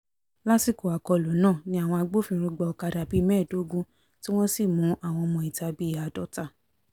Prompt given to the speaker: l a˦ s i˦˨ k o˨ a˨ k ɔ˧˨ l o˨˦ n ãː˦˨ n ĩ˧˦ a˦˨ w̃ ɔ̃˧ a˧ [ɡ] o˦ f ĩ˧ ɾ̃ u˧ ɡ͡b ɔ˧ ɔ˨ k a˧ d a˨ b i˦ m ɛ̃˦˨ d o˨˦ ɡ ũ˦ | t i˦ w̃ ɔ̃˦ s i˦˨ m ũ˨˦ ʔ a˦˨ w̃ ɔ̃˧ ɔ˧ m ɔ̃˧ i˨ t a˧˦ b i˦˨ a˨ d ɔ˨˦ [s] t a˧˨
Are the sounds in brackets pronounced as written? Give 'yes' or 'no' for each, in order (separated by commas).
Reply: no, no